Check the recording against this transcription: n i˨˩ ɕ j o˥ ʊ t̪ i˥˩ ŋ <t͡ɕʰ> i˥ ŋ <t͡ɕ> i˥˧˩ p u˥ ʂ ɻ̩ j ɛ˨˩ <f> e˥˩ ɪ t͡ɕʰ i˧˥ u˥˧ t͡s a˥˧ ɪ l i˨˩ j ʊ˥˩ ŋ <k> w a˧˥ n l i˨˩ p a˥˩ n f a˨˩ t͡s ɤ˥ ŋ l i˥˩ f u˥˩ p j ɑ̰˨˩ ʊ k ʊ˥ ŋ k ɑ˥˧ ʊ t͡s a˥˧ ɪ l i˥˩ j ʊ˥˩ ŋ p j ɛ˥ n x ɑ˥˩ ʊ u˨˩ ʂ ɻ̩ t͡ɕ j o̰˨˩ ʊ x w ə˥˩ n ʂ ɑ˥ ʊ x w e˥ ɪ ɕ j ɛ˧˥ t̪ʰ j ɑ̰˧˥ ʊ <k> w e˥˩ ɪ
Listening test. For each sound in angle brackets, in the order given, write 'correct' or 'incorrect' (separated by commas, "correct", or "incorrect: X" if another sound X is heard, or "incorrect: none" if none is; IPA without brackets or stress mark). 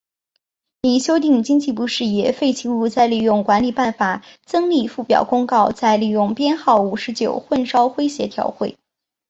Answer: incorrect: t͡ɕ, correct, correct, correct, incorrect: x